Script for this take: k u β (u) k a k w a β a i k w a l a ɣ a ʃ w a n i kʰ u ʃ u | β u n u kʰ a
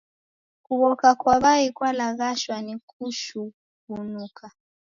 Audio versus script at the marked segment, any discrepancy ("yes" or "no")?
yes